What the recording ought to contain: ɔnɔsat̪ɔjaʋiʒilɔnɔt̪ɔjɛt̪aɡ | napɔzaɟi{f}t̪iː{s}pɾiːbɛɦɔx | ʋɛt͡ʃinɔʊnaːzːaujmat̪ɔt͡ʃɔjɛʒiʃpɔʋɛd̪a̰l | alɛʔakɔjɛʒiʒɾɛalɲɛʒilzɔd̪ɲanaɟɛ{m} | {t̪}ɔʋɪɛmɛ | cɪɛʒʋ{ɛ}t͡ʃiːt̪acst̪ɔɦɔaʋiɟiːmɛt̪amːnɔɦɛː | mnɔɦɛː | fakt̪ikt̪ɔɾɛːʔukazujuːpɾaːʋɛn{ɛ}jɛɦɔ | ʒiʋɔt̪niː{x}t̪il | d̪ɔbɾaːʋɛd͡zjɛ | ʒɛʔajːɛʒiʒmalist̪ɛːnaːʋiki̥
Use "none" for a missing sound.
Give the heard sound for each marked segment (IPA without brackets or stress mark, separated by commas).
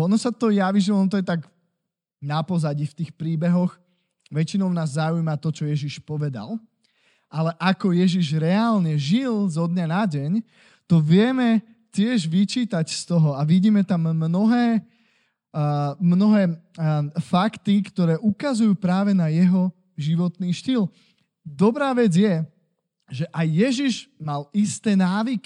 f, x, ɲ, t̪, i, a, ʃ